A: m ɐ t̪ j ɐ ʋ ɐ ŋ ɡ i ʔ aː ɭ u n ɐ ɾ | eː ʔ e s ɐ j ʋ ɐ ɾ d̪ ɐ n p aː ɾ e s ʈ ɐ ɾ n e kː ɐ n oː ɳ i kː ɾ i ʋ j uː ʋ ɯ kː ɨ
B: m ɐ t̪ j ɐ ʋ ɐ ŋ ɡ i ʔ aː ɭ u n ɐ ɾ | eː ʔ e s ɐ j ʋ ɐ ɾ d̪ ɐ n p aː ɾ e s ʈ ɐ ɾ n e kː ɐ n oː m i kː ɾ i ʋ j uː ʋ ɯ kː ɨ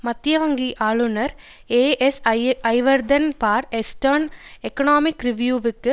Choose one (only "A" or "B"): B